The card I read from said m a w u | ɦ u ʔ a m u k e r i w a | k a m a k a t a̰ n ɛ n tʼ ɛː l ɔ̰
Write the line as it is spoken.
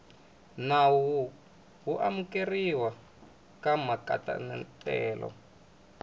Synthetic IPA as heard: n a w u | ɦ u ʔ a m u k e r i w a | k a m a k a t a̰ n ɛ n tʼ ɛː l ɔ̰